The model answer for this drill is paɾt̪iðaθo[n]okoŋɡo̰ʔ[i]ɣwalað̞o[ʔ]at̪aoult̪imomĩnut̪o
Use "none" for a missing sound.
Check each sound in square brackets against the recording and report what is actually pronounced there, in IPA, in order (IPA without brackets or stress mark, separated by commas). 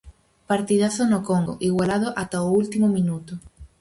n, i, ʔ